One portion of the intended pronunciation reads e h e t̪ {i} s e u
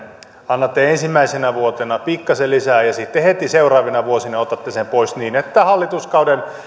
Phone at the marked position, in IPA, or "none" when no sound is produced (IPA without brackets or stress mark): i